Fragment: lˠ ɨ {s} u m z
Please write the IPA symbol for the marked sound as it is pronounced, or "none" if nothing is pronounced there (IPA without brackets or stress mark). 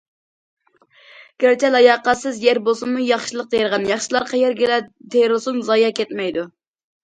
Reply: s